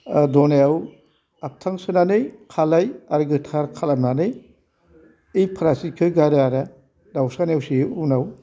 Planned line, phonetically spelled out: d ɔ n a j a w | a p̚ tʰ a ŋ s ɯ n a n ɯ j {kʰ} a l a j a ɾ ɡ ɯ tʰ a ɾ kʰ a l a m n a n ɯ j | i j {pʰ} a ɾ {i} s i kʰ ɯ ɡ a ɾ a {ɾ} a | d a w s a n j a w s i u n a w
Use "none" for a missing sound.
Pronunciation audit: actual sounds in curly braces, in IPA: kʰ, pʰ, a, ɾ

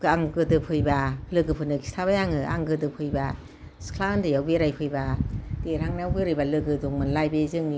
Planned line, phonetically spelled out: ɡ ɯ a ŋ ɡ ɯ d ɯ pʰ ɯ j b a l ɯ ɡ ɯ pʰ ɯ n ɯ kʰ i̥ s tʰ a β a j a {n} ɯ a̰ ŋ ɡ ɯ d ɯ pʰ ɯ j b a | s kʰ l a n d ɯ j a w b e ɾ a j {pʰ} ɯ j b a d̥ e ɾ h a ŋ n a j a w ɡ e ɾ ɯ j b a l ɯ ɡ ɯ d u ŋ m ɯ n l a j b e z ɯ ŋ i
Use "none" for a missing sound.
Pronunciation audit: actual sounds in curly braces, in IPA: ŋ, pʰ

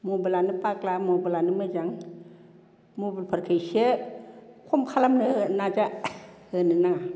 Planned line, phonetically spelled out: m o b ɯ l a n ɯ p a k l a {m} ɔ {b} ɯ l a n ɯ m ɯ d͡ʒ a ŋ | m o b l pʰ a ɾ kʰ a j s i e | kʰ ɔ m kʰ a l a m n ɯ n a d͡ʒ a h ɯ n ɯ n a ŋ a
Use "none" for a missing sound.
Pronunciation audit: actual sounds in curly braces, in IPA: m, b

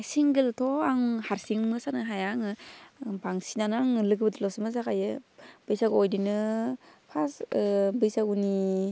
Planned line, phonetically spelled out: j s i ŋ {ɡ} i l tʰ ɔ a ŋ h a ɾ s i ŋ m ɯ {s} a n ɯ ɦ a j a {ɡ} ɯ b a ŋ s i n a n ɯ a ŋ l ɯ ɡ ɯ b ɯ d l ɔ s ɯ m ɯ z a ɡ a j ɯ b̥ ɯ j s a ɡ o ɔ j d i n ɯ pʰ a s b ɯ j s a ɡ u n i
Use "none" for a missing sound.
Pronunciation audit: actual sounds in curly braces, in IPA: ɡ, s, ŋ

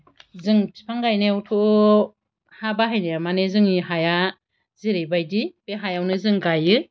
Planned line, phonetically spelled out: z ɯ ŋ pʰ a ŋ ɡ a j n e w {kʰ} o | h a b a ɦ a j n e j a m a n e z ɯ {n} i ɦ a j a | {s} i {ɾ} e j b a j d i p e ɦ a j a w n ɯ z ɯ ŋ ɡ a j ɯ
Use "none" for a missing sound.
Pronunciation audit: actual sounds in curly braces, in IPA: tʰ, ŋ, z, ɾ

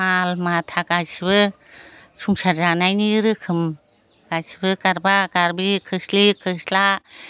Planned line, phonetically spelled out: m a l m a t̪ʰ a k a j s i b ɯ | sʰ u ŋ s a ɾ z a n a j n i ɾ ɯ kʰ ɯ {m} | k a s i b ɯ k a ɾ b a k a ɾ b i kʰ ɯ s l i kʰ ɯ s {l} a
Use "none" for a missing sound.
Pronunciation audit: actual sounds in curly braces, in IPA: m, l

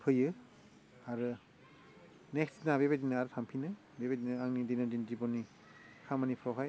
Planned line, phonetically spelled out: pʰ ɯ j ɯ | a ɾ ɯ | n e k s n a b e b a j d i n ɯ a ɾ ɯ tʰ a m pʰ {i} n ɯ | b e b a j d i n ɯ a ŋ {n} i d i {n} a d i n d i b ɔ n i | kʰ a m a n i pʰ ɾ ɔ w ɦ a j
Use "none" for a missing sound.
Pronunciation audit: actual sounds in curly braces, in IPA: i, n, n

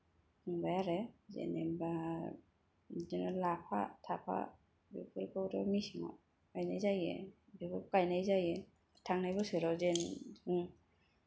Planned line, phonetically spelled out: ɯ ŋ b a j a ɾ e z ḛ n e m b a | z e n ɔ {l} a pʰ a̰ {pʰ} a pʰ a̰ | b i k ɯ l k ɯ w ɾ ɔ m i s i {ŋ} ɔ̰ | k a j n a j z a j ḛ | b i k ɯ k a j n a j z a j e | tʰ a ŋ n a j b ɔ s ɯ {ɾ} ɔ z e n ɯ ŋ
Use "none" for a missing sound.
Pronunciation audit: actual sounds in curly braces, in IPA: l, tʰ, ŋ, ɾ

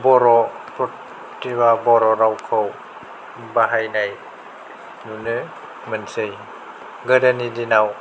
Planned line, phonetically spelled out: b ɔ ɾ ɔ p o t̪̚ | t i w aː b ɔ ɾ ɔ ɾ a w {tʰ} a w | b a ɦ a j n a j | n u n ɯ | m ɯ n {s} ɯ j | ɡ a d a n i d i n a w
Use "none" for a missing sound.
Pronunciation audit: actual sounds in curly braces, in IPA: kʰ, s

